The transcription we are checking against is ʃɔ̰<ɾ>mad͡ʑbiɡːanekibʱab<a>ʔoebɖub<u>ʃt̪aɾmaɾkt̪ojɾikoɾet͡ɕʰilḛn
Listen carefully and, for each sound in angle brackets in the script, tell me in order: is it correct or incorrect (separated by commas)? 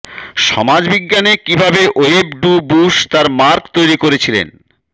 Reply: incorrect, incorrect, correct